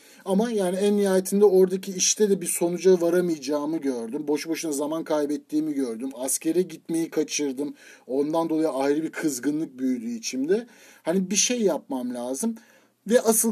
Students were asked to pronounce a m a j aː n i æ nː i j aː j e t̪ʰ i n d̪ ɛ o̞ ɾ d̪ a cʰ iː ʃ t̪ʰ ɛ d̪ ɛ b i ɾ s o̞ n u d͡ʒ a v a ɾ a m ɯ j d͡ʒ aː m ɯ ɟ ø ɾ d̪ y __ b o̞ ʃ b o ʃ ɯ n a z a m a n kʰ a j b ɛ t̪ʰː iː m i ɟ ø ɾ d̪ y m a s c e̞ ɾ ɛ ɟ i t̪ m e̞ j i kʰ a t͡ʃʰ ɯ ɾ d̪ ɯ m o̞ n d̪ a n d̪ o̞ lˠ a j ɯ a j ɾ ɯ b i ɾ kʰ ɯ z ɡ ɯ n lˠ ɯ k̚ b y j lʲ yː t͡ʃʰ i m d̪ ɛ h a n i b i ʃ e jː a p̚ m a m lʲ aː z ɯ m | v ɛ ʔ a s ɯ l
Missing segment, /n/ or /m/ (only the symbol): m